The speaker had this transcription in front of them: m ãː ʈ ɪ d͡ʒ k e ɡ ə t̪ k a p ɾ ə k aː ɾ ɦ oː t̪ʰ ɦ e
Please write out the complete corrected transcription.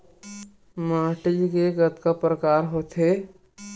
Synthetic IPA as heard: m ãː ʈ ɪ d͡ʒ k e ɡ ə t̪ k a p ɾ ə k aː ɾ ɦ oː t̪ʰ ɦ e